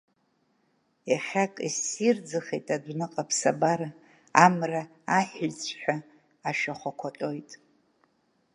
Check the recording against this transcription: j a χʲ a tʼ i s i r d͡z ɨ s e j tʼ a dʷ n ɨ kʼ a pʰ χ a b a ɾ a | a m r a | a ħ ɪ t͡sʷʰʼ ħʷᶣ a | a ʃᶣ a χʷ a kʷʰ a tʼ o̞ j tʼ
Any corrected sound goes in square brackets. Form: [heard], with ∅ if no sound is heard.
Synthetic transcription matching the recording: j a χʲ a [kʼ] i s i r d͡z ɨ [χ] e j tʼ a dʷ n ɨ [qʼ] a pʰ [s] a b a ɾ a | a m r a | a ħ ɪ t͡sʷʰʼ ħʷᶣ a | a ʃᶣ a χʷ a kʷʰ a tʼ o̞ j tʼ